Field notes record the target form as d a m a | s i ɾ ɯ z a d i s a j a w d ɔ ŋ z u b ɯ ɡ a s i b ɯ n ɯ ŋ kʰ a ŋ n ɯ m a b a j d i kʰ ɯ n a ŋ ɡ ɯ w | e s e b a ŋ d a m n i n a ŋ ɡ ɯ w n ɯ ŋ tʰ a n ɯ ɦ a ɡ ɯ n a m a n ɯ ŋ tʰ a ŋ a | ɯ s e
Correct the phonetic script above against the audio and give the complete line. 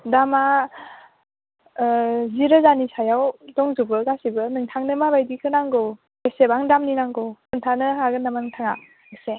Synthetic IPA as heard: d a m a | z i ɾ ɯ z a n i s a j a w d ɔ ŋ z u b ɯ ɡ a s i b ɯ n ɯ ŋ tʰ a ŋ n ɯ m a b a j d i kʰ ɯ n a ŋ ɡ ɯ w | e s e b a ŋ d a m n i n a ŋ ɡ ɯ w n ɯ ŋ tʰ a n ɯ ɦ a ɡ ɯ n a m a n ɯ ŋ tʰ a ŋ a | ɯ s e